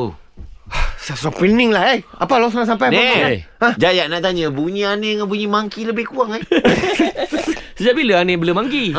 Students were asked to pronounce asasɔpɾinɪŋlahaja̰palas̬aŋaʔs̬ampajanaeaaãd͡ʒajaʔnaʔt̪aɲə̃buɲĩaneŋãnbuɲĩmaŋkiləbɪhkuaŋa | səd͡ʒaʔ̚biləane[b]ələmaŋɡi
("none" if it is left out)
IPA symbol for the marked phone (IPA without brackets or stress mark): b